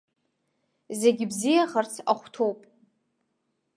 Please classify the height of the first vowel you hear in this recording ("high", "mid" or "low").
mid